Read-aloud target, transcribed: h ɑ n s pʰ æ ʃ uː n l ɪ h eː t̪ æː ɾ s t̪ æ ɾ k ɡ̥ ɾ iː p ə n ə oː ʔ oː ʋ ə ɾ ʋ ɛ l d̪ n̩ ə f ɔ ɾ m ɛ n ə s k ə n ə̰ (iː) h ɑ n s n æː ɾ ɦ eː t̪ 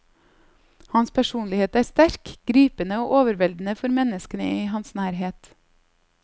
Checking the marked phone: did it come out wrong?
no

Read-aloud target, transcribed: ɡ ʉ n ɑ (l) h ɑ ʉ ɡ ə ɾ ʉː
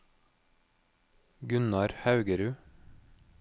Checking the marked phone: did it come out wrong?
yes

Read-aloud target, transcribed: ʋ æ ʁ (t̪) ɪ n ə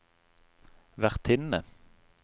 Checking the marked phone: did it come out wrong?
yes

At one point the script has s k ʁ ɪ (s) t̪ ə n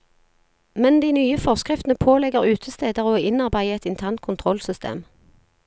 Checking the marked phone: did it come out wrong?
yes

